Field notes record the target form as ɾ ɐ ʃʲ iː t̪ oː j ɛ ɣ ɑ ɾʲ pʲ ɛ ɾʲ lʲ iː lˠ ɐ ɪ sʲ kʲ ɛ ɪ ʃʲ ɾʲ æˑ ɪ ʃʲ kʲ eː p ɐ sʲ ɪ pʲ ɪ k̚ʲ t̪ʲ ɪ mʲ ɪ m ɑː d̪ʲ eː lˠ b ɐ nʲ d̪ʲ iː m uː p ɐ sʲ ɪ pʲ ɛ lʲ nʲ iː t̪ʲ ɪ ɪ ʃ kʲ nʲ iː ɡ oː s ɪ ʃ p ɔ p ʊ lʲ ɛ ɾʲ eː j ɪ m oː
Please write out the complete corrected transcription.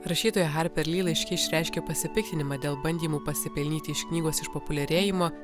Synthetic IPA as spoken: ɾ ɐ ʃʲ iː t̪ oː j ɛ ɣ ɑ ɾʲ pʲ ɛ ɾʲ lʲ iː lˠ ɐ ɪ ʃʲ kʲ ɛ ɪ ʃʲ ɾʲ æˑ ɪ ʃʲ kʲ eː p ɐ sʲ ɪ pʲ ɪ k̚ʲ t̪ʲ ɪ nʲ ɪ m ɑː d̪ʲ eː lˠ b ɐ nʲ d̪ʲ iː m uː p ɐ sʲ ɪ pʲ ɛ lʲ nʲ iː t̪ʲ ɪ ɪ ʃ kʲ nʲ iː ɡ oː s ɪ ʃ p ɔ p ʊ lʲ ɛ ɾʲ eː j ɪ m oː